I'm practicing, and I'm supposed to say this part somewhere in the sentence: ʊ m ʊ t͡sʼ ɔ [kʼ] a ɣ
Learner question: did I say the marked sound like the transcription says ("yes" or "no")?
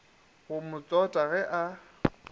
no